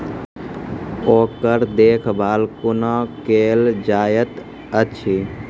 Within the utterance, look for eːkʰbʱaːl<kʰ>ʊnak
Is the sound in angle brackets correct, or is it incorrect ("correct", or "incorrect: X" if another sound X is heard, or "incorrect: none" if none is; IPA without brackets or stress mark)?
incorrect: k